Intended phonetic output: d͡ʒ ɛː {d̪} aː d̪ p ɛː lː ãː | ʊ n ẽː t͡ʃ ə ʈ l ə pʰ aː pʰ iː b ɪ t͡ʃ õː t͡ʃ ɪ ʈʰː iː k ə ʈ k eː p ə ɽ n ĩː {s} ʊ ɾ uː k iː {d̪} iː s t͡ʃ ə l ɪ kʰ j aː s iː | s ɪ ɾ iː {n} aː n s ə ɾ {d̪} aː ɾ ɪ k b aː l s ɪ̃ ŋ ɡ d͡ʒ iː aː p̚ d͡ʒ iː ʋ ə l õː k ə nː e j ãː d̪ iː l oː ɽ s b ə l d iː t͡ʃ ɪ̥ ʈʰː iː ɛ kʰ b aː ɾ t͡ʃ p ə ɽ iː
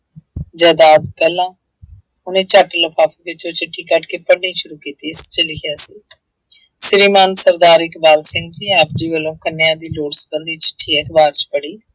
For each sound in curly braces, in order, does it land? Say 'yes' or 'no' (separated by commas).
yes, no, no, no, yes